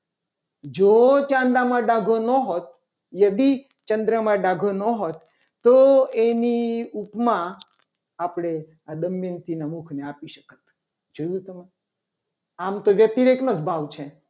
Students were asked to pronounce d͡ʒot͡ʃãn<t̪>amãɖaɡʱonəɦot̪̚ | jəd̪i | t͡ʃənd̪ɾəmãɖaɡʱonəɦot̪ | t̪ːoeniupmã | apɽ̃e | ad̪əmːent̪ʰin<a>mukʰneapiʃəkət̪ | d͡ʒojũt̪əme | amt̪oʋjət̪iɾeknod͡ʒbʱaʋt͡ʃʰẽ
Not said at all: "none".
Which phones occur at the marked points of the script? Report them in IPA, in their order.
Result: d̪, a

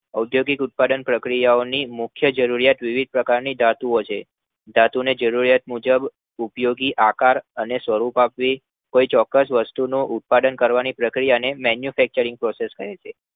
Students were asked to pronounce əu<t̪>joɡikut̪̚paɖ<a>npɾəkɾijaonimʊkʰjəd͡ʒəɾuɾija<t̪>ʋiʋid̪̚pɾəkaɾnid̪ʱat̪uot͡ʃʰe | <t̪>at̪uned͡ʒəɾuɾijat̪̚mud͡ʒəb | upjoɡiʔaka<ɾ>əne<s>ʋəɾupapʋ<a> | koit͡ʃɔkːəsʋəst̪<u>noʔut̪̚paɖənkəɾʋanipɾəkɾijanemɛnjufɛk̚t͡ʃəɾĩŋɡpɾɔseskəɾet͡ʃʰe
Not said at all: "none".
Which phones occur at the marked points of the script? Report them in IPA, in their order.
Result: d̪, ə, t̪, d̪, ɾ, s, i, u

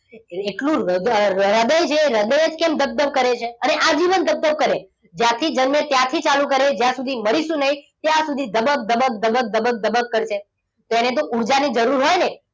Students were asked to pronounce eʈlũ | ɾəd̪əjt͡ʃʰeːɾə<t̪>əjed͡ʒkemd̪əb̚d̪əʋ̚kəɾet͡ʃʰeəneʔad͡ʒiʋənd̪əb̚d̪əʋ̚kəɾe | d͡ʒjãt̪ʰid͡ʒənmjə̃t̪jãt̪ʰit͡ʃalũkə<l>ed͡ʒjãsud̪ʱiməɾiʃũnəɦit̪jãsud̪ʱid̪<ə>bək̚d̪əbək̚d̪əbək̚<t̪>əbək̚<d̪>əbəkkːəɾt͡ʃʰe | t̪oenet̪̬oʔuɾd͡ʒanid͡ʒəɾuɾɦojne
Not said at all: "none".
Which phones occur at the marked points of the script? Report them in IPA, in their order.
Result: d̪, ɾ, ə, d̪, d̪

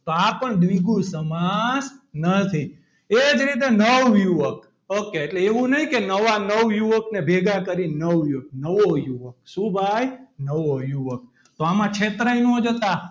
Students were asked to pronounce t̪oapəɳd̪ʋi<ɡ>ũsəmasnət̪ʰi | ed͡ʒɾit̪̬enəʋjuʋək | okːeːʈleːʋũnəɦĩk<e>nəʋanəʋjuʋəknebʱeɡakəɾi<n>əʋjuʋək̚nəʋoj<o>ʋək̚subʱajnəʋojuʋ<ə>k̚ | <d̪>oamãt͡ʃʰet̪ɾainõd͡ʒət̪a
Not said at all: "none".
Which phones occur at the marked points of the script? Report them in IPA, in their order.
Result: ɡ, e, n, u, ə, t̪

